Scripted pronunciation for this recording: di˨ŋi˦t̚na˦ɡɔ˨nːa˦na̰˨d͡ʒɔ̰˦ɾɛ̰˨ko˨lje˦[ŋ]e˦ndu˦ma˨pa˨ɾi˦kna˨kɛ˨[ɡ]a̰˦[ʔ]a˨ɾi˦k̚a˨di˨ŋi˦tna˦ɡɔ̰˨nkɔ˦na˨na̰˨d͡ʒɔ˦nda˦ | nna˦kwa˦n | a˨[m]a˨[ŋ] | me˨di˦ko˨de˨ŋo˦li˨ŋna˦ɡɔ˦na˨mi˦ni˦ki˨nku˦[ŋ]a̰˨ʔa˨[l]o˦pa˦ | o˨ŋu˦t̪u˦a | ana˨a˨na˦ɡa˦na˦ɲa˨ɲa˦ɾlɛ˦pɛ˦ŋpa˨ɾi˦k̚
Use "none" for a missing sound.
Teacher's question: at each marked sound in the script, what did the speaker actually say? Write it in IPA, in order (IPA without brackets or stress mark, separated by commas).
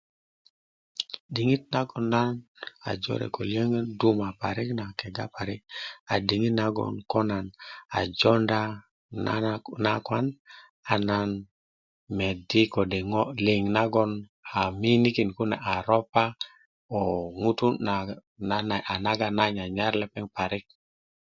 ŋ, ɡ, p, n, n, n, ɾ